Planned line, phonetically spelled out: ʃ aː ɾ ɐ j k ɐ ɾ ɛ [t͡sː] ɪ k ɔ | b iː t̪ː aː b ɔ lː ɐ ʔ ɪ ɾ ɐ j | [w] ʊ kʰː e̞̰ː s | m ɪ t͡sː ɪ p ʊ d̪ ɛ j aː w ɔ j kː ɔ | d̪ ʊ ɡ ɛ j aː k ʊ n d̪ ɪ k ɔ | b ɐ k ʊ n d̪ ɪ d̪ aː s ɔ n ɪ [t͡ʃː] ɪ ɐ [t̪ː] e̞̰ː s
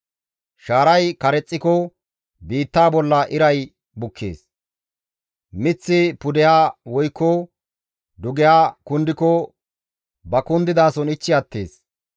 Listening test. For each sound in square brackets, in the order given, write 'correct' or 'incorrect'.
incorrect, incorrect, correct, correct

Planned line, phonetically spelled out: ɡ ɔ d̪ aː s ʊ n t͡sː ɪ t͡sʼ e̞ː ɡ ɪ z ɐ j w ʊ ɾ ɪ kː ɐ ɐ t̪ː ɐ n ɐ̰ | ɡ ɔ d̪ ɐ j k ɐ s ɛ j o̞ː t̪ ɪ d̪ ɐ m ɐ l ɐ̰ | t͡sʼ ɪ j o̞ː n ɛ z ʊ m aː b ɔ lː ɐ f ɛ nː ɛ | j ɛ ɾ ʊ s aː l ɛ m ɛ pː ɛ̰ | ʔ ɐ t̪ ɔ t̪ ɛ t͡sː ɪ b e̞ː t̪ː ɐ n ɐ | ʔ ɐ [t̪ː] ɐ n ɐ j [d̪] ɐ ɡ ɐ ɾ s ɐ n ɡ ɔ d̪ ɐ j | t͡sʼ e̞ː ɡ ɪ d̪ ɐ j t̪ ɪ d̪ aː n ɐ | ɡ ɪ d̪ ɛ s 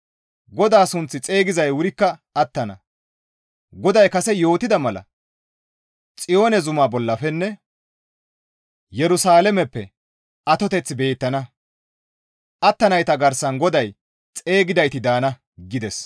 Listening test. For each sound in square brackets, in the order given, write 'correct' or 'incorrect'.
correct, incorrect

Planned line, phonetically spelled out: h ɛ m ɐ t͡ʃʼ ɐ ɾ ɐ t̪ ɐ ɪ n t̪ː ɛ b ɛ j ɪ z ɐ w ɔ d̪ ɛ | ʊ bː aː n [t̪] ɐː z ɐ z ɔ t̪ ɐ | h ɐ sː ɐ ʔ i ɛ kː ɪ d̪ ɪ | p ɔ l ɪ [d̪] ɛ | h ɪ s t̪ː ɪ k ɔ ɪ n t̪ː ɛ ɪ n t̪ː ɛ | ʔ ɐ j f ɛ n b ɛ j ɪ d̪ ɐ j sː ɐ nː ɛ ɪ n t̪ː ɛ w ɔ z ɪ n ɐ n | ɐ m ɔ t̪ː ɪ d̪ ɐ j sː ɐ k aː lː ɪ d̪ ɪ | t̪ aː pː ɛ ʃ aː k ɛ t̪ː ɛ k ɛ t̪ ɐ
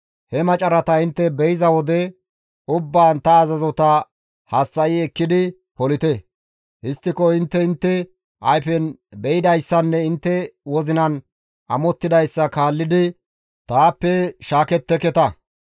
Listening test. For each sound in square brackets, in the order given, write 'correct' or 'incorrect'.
correct, incorrect

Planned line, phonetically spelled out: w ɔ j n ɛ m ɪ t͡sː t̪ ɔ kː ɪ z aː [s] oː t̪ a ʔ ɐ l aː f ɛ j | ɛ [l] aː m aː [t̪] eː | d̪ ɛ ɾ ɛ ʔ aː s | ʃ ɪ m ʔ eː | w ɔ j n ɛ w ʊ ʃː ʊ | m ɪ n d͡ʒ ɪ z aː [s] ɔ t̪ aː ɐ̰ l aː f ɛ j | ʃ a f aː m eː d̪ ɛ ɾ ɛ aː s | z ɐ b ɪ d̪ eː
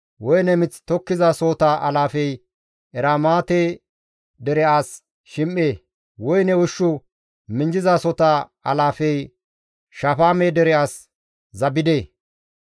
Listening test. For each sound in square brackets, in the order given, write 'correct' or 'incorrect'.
correct, incorrect, correct, correct

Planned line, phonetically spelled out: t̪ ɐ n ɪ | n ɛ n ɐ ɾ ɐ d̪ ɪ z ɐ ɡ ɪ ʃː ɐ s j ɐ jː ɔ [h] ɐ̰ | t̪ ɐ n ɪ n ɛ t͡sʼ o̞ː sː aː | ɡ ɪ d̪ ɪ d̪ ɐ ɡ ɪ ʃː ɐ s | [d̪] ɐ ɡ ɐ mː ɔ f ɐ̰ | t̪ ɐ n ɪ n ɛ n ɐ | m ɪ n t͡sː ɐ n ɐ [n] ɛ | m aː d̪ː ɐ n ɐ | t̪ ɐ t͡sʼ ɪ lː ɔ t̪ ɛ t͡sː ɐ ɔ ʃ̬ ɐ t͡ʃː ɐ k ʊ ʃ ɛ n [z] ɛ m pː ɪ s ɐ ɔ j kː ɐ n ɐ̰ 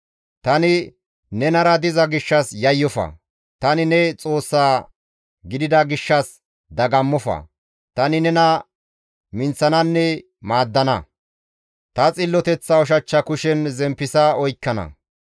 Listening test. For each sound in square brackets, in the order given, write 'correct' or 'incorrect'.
incorrect, correct, incorrect, correct

